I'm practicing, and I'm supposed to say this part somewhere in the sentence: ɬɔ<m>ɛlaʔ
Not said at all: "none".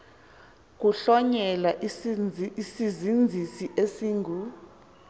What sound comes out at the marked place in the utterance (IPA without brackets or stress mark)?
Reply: ɲ